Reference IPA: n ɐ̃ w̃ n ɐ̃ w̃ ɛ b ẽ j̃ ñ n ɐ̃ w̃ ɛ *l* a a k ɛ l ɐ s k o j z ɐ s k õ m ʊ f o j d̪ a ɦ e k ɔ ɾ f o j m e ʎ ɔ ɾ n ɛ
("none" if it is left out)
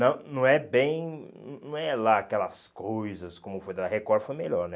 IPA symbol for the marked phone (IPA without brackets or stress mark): l